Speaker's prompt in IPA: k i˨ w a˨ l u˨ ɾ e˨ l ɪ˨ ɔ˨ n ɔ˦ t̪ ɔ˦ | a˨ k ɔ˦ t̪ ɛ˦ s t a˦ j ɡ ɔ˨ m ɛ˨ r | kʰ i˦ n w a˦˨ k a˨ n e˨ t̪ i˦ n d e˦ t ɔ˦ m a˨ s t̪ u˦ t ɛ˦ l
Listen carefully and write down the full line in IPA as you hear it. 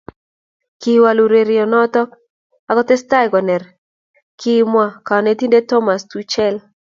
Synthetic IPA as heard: k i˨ w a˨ l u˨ ɾ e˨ ɾ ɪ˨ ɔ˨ n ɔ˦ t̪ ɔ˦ | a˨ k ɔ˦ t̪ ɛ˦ s t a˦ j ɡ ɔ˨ n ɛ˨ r | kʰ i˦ m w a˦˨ k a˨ n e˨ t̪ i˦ n d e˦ t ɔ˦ m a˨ s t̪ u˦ t͡ʃ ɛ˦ l